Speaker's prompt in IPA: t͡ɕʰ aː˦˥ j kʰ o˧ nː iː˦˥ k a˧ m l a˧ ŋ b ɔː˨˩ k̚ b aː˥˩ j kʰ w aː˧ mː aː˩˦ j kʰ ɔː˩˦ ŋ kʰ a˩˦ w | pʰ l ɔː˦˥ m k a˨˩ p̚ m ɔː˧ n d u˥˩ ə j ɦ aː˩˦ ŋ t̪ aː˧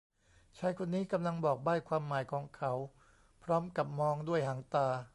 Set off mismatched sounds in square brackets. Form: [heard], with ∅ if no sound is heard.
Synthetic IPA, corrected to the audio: t͡ɕʰ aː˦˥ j kʰ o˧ nː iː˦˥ k a˧ m l a˧ ŋ b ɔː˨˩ k̚ b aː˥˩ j kʰ w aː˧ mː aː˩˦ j kʰ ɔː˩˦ ŋ kʰ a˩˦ w | pʰ [ɾ] ɔː˦˥ m k a˨˩ p̚ m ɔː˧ [ŋ] d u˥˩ ə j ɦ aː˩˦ ŋ t̪ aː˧